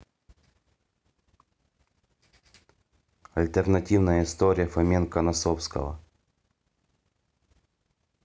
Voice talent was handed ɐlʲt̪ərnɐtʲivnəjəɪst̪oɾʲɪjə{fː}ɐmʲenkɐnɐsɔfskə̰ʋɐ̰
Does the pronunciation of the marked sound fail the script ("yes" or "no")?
yes